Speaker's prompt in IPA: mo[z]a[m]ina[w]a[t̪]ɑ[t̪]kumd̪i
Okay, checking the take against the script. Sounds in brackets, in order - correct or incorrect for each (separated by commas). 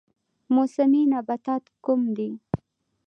incorrect, correct, incorrect, correct, correct